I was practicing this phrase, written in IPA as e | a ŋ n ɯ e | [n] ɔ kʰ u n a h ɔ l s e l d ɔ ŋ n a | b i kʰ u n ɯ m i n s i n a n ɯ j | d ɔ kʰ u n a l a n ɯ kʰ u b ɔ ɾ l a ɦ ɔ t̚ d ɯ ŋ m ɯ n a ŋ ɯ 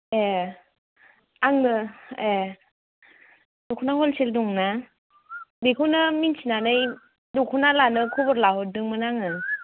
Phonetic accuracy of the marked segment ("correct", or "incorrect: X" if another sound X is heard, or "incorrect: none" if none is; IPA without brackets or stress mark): incorrect: d